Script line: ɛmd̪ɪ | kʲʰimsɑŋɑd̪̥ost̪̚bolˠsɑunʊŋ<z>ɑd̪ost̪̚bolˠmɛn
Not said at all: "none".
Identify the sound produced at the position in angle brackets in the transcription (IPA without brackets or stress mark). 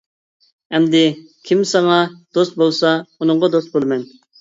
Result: ʁ